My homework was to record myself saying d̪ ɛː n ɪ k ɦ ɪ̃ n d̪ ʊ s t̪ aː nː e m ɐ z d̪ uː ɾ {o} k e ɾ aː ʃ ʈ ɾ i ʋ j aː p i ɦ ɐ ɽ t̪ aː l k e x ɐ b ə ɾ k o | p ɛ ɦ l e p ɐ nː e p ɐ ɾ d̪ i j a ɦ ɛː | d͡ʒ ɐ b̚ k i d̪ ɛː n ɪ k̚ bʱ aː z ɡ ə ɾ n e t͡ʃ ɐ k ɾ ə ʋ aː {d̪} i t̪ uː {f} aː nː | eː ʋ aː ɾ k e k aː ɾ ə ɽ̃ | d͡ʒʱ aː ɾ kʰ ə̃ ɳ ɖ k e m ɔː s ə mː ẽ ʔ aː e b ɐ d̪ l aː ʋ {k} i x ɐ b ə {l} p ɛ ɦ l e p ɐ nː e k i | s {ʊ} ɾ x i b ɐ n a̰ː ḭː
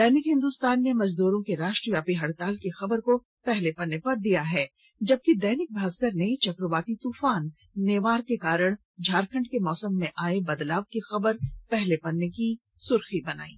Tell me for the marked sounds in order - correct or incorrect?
incorrect: õ, incorrect: t̪, correct, correct, incorrect: ɾ, correct

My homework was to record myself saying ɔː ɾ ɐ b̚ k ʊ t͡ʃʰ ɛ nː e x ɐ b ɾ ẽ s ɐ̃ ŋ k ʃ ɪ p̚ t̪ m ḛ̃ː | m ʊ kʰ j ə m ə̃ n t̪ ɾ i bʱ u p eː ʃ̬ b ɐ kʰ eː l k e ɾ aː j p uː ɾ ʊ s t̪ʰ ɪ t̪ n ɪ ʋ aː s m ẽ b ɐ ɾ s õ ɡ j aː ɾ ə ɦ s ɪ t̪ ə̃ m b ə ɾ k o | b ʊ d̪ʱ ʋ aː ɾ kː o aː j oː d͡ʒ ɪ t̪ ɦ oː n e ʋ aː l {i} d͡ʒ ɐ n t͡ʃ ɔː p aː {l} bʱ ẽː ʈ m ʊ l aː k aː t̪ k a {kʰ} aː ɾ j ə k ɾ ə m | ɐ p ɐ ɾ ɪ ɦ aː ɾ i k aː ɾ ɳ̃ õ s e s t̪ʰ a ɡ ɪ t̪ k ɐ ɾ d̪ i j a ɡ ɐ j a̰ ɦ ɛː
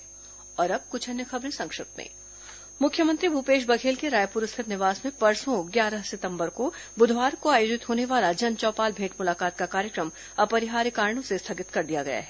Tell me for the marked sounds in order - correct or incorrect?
incorrect: a, correct, incorrect: k

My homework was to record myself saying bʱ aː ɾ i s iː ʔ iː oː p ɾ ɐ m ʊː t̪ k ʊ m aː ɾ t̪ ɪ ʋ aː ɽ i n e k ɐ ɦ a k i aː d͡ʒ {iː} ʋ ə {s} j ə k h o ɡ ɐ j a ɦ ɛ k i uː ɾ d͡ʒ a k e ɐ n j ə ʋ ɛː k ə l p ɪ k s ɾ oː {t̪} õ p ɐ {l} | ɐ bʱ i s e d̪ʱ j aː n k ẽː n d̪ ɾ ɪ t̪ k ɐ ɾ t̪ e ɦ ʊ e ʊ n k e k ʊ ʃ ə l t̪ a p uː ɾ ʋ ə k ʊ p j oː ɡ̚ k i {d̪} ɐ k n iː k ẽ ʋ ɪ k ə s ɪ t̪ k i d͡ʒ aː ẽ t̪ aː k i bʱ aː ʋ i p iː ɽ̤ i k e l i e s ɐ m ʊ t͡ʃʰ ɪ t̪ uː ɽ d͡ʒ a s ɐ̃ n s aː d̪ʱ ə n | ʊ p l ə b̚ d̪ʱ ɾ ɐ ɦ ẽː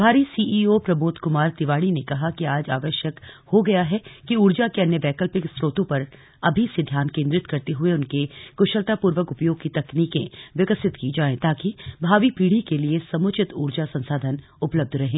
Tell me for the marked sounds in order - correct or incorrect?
incorrect: aː, incorrect: ʃ, correct, incorrect: ɾ, incorrect: t̪

